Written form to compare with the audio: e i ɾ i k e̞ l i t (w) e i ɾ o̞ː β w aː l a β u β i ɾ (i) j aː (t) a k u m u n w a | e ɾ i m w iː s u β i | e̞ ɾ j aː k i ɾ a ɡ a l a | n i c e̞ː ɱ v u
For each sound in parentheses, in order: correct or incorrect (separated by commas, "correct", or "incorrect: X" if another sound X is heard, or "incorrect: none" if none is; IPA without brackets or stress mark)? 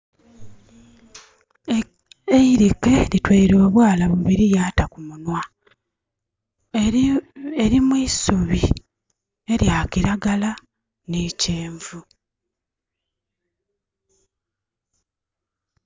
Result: correct, correct, correct